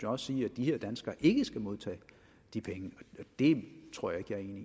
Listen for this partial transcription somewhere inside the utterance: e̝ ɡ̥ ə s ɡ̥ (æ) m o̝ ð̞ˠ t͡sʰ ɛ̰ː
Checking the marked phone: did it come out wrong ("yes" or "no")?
no